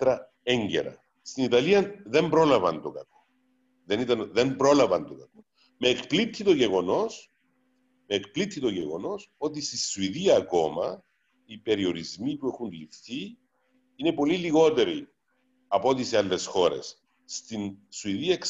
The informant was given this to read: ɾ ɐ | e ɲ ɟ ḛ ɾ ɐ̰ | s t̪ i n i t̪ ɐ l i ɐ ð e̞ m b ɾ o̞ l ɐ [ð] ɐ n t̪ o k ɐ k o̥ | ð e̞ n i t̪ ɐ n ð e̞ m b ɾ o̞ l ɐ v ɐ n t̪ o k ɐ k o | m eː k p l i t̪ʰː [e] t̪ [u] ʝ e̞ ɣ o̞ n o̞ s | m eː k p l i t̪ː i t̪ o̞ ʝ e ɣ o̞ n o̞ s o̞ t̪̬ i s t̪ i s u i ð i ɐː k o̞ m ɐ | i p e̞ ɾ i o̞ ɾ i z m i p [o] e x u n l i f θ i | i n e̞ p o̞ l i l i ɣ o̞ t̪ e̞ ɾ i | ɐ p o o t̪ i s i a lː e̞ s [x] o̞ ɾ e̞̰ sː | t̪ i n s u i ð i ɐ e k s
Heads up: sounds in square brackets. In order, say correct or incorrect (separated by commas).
incorrect, incorrect, incorrect, incorrect, correct